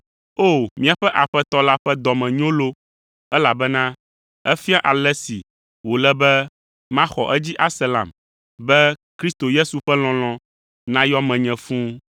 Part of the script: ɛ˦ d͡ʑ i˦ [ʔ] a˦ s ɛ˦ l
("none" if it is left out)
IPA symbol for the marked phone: ʔ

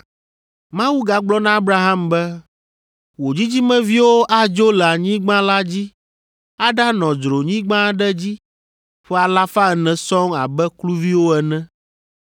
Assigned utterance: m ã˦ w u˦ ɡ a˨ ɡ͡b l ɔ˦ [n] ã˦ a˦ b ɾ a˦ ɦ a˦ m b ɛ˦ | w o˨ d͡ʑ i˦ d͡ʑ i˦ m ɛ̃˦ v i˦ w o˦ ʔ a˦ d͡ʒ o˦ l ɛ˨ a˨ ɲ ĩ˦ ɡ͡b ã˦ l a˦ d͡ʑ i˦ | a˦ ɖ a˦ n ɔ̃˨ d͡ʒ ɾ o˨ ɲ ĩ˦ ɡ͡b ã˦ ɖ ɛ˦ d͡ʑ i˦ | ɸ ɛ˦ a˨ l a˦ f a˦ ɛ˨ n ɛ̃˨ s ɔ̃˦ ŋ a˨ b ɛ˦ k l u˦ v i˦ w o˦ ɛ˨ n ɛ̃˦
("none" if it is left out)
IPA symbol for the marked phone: n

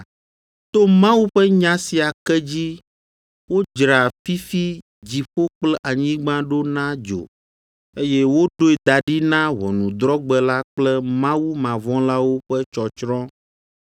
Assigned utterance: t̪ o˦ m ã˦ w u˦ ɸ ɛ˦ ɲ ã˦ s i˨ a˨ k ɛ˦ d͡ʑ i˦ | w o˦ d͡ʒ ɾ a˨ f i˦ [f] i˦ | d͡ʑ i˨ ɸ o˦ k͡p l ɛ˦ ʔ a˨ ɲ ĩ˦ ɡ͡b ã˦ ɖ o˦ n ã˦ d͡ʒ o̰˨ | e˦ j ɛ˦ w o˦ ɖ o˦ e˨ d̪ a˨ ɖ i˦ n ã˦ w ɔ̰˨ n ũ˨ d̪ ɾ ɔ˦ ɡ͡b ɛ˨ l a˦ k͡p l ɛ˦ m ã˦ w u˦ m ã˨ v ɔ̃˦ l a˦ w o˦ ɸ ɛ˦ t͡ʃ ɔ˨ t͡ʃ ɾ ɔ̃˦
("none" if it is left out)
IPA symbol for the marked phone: f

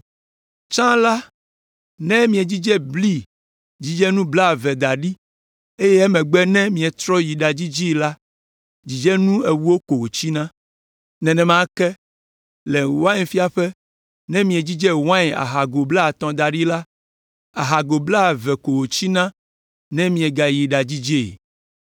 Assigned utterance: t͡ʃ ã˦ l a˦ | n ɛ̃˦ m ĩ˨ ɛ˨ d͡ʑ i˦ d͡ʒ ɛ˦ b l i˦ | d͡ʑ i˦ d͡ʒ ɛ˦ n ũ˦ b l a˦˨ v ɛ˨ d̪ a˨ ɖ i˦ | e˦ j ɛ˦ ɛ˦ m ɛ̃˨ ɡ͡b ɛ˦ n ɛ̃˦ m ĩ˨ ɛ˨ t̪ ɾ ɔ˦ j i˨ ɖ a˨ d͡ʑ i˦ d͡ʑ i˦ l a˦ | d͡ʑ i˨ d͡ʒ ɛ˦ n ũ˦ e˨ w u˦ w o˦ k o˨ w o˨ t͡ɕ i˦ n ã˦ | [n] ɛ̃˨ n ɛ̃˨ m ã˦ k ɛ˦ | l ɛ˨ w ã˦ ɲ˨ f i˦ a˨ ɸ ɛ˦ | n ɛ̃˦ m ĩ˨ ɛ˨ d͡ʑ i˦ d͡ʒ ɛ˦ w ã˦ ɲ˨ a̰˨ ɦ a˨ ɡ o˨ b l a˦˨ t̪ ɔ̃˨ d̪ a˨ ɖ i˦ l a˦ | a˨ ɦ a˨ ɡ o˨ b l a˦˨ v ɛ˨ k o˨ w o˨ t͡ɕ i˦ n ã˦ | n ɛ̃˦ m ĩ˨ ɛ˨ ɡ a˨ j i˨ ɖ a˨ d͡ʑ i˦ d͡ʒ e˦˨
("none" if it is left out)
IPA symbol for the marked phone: n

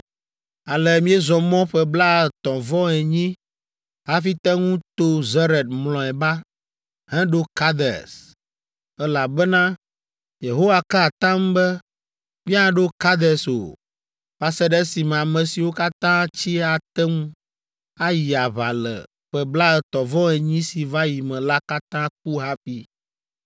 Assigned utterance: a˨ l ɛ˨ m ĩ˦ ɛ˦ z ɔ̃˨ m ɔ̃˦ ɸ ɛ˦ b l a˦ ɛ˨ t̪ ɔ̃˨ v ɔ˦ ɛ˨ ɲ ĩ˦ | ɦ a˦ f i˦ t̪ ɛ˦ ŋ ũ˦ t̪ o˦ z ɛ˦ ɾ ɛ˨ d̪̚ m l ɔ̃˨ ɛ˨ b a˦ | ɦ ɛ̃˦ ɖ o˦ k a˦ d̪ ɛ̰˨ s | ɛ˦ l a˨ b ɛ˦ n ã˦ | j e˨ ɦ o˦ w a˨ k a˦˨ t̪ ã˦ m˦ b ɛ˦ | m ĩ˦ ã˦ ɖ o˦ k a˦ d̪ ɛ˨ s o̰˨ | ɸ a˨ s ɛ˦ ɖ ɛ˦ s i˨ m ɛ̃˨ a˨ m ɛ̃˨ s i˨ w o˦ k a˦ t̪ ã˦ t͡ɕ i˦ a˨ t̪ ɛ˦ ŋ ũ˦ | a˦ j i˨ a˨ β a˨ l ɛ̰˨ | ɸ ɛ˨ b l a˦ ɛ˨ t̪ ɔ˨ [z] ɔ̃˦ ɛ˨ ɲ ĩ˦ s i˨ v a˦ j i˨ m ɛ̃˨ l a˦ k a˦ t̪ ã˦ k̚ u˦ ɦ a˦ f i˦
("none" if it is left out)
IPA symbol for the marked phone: v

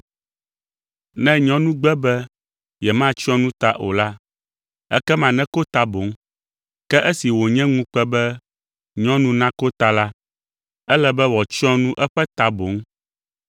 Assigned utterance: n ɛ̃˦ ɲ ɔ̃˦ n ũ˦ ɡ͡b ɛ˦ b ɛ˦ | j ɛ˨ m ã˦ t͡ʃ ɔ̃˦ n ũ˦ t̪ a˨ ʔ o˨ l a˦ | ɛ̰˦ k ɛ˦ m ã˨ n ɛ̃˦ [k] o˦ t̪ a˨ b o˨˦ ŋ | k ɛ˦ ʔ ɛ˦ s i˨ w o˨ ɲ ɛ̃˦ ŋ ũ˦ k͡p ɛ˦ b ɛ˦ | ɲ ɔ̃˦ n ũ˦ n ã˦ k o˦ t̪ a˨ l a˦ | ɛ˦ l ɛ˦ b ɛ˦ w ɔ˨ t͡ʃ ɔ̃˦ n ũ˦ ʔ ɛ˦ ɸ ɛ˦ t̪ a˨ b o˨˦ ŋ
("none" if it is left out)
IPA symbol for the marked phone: k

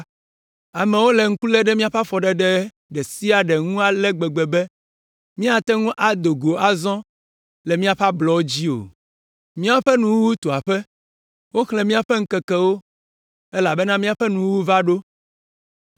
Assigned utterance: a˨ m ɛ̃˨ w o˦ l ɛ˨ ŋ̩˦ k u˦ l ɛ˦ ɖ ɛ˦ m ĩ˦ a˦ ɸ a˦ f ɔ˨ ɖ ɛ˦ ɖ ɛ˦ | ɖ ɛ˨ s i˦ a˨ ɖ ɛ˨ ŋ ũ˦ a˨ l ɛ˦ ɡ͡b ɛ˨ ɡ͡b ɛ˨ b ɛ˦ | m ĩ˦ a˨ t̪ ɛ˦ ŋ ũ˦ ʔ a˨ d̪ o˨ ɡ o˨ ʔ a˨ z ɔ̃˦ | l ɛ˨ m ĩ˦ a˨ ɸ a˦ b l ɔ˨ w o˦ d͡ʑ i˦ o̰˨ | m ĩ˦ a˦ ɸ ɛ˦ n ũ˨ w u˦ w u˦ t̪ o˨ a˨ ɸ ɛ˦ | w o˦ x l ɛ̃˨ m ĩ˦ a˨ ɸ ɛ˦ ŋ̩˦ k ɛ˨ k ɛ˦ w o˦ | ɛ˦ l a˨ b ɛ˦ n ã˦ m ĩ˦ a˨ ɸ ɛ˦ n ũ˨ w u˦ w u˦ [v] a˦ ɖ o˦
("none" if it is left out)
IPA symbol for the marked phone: v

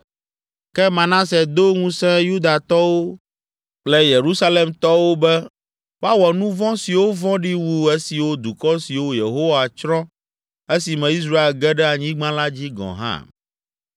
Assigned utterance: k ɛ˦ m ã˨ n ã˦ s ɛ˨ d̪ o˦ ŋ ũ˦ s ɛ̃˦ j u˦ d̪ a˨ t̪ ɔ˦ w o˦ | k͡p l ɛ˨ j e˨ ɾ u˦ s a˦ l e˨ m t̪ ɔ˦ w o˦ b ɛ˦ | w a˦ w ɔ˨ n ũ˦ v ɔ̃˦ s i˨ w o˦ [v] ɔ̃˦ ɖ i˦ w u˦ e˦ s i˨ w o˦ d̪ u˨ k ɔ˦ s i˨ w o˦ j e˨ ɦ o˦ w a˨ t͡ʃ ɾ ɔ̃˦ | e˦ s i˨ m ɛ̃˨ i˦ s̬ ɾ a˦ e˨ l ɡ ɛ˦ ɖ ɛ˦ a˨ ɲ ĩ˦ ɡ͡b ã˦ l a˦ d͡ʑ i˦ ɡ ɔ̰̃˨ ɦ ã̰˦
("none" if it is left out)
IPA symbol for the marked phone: v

